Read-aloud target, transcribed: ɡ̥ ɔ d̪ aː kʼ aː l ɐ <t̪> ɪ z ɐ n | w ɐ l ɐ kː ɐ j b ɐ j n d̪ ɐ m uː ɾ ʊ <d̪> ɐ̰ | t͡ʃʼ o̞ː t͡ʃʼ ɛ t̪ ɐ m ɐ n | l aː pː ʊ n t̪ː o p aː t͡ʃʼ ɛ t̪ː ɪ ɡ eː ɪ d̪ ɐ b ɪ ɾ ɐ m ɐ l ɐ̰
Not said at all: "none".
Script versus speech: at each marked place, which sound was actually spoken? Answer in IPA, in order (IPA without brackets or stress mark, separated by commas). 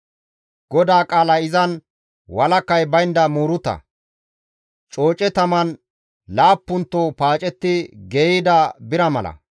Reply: none, t̪